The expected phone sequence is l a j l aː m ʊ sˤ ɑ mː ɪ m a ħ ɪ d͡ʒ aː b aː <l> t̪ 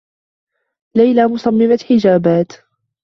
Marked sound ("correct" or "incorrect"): incorrect